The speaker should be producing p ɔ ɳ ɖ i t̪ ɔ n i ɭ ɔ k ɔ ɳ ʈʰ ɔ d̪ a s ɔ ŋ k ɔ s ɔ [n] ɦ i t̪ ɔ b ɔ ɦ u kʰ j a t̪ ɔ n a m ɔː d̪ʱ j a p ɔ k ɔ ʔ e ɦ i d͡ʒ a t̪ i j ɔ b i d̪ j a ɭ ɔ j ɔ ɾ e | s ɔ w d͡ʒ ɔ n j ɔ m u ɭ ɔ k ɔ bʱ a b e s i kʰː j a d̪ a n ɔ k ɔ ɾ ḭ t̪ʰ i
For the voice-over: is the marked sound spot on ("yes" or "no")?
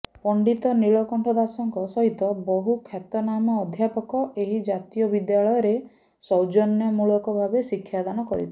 no